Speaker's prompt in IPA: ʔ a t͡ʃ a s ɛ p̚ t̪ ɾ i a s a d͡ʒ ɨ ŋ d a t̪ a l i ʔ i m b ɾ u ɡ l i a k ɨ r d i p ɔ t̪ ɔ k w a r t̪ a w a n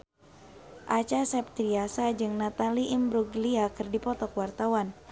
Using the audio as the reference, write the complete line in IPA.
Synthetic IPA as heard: ʔ a t͡ʃ a s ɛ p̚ t̪ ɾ i a s a d͡ʒ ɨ ŋ n a t̪ a l i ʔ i m b ɾ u ɡ l i a k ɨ r d i p ɔ t̪ ɔ k w a r t̪ a w a n